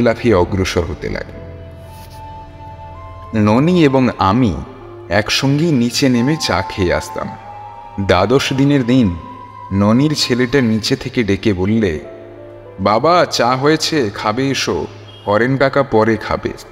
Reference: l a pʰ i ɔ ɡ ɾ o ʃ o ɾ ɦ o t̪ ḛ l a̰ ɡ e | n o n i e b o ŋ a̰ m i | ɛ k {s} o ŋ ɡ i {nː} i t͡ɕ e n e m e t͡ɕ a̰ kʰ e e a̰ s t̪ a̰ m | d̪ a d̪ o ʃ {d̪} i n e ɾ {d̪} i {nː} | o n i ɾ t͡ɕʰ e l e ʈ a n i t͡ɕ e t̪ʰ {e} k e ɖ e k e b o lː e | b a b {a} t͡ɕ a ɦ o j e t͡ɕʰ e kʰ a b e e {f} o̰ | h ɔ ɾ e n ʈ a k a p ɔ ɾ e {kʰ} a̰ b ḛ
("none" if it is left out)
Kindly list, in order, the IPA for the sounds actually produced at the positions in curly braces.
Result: ʃ, n, d̪, d̪, nː, e, a, ʃ, kʰ

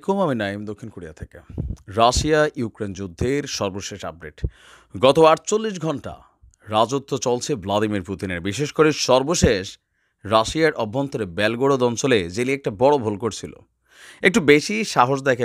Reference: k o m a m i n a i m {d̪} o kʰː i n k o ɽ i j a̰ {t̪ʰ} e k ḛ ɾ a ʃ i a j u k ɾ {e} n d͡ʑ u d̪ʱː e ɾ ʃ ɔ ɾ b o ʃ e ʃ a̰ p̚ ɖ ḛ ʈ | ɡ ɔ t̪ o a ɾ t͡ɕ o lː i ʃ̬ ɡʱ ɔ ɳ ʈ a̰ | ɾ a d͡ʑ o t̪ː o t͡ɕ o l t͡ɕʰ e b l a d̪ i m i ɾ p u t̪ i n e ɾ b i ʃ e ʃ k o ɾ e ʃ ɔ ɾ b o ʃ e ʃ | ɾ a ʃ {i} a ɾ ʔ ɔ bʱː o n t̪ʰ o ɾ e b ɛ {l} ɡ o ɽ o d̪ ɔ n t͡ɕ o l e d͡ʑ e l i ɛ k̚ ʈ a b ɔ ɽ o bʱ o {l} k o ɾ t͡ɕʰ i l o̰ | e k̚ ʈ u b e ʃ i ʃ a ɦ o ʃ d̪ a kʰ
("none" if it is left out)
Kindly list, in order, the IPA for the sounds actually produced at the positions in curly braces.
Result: d̪, t̪ʰ, e, i, l, l

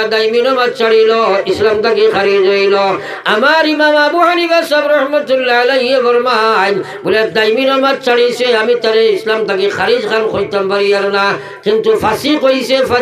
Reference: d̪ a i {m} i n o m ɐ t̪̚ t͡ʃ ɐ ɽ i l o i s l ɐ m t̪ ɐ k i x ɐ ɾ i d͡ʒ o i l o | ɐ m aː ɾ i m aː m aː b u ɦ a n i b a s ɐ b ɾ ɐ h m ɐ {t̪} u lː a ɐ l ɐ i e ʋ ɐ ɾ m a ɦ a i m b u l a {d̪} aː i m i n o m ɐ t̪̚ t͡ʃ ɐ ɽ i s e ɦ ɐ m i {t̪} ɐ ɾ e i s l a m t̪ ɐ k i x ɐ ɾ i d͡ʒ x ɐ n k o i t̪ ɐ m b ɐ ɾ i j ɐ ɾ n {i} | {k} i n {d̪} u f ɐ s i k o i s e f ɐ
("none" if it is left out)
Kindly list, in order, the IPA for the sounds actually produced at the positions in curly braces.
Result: m, t̪, d̪, t̪, a, k, t̪

